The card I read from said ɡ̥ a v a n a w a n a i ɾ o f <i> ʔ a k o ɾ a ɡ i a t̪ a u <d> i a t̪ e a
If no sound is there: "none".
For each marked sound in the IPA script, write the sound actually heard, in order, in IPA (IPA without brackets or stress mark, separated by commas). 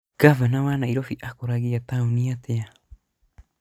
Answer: i, n